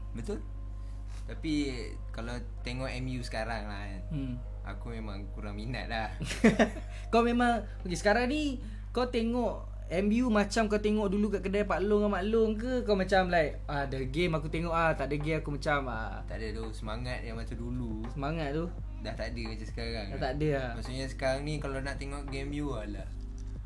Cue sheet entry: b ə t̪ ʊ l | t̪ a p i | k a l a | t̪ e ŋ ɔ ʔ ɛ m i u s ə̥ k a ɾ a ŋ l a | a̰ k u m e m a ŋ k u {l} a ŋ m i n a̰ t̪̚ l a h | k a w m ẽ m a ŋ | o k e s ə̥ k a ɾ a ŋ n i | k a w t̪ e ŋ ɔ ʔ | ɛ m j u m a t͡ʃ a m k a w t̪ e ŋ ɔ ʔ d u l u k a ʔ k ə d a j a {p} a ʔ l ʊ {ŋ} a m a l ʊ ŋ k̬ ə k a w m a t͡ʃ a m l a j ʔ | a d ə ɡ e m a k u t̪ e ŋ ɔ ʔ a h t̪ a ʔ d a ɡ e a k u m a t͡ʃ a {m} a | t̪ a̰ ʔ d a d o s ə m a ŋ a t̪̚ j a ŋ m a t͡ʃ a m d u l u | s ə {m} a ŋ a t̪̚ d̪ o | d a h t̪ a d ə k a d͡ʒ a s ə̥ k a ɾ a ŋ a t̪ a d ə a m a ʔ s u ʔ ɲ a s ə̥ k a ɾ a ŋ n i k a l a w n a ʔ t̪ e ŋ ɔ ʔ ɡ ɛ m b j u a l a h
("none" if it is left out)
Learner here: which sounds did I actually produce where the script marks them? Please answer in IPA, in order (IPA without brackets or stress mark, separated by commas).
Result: ɾ, p, ŋ, m, m